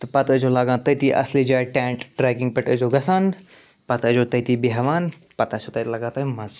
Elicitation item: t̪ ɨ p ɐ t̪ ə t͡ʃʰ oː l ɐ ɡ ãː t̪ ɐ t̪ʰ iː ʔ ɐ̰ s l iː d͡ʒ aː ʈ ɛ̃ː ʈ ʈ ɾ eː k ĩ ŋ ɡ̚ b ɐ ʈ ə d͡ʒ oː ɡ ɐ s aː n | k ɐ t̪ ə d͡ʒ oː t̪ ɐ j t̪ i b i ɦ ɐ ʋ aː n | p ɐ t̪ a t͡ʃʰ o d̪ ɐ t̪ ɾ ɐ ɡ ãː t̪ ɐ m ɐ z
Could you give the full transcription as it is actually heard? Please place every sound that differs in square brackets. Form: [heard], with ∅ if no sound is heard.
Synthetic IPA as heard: t̪ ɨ p ɐ t̪ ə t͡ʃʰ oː l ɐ ɡ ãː t̪ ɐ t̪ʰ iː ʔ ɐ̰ s l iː d͡ʒ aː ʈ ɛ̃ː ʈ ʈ ɾ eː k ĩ ŋ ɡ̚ [p] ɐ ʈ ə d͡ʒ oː ɡ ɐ s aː n | [p] ɐ t̪ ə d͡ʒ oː t̪ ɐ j t̪ i b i ɦ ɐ ʋ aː n | p ɐ t̪ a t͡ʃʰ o [t̪] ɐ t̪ [l] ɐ ɡ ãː t̪ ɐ m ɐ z